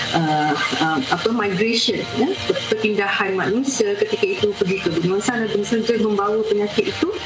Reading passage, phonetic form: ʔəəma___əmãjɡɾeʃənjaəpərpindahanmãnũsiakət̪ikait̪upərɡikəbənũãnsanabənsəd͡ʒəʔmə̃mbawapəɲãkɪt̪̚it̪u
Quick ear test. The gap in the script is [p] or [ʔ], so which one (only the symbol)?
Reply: p